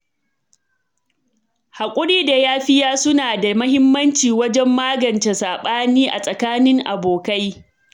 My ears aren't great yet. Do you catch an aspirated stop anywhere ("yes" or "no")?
no